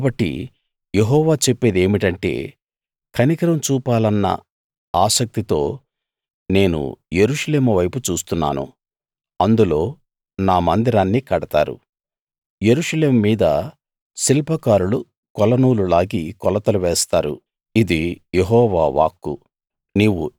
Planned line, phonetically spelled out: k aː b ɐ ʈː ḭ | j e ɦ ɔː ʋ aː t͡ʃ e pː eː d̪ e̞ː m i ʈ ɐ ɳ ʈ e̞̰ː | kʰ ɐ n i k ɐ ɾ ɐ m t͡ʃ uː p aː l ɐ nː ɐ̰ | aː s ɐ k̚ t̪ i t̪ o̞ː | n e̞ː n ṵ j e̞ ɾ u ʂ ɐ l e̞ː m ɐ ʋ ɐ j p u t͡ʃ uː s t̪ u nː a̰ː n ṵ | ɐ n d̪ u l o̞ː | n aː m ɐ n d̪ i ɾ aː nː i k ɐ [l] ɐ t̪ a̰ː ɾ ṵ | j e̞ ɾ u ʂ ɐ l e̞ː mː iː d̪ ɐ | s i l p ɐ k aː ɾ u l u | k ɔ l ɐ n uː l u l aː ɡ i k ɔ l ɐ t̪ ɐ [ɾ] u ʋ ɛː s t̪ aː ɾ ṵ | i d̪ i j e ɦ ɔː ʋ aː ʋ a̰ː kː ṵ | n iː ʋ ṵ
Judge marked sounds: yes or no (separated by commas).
no, no